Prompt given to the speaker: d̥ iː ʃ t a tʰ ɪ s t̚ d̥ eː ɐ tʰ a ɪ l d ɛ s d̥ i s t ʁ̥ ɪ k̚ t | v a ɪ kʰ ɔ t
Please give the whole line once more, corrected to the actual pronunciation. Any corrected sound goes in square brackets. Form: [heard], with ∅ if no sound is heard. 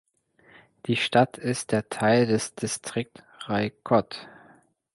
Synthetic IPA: d̥ iː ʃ t a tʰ ɪ s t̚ d̥ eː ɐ tʰ a ɪ l d ɛ s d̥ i s t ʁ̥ ɪ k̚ t | [ʁ] a ɪ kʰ ɔ t